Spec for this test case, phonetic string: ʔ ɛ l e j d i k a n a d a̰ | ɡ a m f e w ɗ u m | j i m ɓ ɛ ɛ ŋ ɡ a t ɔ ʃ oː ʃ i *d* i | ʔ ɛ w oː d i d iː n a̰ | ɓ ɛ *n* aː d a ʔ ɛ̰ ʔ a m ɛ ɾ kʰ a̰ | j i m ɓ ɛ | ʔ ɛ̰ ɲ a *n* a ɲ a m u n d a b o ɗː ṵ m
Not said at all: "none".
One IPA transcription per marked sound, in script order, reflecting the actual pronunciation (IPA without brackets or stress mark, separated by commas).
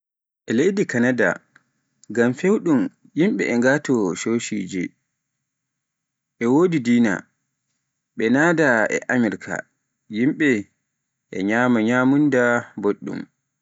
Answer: d͡ʒ, n, m